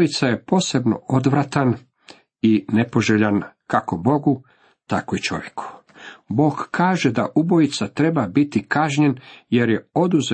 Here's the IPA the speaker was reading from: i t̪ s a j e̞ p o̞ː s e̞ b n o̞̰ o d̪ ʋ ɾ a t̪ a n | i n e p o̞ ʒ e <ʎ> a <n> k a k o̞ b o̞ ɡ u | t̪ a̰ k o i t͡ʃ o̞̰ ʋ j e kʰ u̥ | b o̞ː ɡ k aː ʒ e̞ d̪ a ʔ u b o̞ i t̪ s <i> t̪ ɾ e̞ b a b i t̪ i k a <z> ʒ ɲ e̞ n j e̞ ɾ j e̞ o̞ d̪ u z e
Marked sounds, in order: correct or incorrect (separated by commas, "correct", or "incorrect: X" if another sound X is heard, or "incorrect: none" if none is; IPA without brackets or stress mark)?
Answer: correct, correct, incorrect: a, incorrect: none